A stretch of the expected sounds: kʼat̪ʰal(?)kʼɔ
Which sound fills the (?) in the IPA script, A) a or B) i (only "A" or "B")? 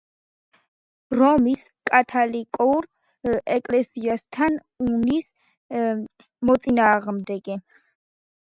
B